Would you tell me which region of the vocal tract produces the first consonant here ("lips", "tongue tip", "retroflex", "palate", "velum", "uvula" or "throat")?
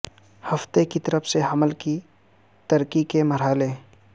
throat